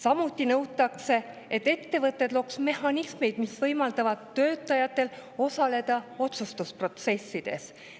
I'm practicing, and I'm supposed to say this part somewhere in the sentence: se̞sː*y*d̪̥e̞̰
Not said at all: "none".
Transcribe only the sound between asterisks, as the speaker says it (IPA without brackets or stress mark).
i